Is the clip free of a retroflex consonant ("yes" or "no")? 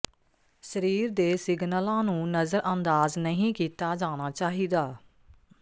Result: yes